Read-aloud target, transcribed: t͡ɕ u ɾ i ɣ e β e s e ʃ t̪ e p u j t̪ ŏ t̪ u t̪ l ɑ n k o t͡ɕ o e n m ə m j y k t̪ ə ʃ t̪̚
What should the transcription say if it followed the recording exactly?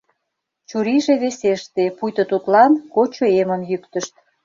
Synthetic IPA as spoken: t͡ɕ u ɾ i ʒ e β e s e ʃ t̪ e p u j t̪ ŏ t̪ u t̪ l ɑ n k o t͡ɕ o e m ə m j y k t̪ ə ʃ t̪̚